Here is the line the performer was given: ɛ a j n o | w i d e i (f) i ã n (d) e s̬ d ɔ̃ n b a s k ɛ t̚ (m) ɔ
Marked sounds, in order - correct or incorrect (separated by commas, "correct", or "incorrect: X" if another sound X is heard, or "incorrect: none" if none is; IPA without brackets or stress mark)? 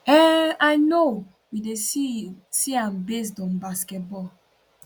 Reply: incorrect: s, incorrect: b, incorrect: b